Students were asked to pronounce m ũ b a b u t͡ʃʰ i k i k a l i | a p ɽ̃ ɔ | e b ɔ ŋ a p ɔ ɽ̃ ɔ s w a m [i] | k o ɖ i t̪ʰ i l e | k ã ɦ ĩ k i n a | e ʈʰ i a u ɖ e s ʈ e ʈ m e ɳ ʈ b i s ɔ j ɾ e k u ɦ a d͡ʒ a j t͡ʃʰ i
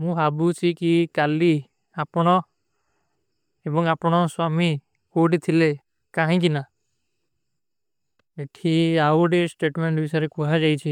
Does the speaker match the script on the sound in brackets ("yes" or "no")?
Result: yes